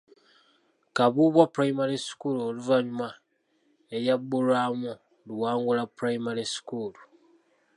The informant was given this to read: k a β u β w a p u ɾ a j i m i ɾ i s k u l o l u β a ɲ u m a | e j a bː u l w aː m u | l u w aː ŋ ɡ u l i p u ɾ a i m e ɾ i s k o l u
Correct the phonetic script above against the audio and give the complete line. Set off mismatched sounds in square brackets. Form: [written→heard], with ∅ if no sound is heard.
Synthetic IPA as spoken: k a β u β w a p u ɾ a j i m [i→a] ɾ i s k u l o l u [β→v] a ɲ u m a | e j a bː u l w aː m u | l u w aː ŋ ɡ u l [i→a] p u ɾ a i m [e→a] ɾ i s k [o→u] l u